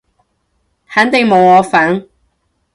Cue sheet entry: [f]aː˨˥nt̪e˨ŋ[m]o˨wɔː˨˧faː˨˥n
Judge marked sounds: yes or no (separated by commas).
no, yes